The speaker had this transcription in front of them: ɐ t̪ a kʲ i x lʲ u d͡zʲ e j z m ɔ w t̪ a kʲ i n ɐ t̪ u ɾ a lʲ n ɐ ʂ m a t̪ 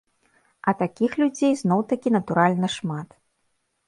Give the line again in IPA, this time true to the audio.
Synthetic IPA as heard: ɐ t̪ a kʲ i x lʲ u d͡zʲ e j z n ɔ w t̪ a kʲ i n ɐ t̪ u ɾ a lʲ n ɐ ʂ m a t̪